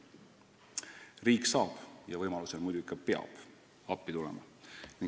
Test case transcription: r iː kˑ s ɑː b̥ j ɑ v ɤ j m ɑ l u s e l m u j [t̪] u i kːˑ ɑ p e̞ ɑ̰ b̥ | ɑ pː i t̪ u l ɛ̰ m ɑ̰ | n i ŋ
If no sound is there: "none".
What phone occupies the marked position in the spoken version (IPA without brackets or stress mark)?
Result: d̪